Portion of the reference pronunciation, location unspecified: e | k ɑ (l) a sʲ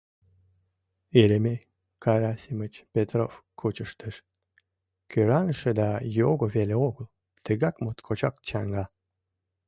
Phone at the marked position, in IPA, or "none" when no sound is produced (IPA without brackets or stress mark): ɾ